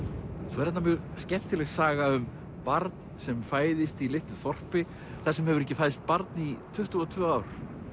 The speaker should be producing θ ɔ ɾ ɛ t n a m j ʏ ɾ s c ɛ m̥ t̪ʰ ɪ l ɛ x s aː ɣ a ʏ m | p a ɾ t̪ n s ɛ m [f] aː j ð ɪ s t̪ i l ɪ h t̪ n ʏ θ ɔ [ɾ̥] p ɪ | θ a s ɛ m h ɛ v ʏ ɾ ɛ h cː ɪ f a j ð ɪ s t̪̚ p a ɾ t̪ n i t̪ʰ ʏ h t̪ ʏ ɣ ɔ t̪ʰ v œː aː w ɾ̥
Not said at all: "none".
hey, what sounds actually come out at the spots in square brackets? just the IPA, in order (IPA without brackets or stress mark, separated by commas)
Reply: f, r̥